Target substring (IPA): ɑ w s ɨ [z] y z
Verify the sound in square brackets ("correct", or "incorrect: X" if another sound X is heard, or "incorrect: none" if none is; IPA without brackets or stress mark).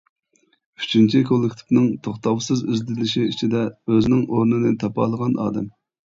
correct